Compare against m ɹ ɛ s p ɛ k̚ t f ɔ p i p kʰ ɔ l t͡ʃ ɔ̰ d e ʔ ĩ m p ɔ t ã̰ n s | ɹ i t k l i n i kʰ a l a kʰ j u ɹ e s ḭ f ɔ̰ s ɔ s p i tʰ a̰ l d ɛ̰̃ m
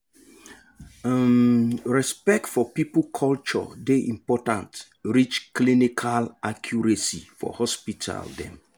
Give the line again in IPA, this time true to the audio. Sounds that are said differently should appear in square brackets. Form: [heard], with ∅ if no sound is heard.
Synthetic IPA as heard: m ɹ ɛ s p ɛ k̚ t f ɔ p i p kʰ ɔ l t͡ʃ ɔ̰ d e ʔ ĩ m p ɔ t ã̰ n [t] | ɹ i [t͡ʃ] k l i n i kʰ a l a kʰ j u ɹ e s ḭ f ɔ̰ [h] ɔ s p i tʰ a̰ l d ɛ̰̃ m